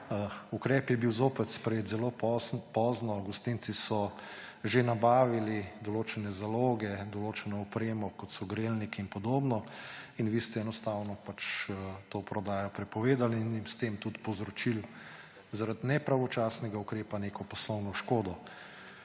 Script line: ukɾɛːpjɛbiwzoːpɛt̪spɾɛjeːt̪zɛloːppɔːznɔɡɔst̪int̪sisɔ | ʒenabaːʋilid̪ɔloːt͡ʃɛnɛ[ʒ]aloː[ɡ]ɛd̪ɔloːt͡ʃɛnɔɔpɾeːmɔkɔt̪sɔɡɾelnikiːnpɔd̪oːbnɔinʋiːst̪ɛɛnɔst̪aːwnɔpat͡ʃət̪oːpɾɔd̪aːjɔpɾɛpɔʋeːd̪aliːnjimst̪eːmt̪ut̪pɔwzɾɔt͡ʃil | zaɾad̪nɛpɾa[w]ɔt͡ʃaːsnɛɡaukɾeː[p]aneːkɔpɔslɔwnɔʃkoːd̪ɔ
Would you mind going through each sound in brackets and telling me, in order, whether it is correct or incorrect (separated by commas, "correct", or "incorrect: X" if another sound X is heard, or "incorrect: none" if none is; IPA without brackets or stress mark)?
incorrect: z, correct, incorrect: ʋ, correct